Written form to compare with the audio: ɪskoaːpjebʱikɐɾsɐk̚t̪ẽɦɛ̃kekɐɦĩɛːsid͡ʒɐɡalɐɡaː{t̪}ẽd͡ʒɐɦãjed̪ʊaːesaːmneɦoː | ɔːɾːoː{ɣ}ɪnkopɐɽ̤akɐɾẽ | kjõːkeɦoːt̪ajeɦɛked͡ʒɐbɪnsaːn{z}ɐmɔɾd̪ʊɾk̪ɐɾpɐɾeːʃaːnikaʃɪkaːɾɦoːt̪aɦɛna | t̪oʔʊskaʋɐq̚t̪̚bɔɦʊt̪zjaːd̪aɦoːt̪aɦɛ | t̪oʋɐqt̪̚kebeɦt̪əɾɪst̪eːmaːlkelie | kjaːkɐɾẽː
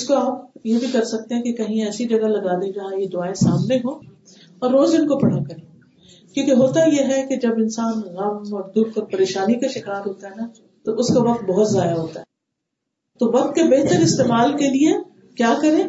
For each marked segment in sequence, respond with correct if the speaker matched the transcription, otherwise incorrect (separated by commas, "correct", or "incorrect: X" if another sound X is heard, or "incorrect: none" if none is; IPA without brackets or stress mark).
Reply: incorrect: d̪, incorrect: z, incorrect: ɣ